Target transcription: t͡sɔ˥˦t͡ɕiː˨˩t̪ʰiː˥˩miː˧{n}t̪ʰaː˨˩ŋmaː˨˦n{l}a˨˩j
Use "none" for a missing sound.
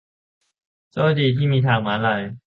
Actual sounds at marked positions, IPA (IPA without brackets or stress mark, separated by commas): none, l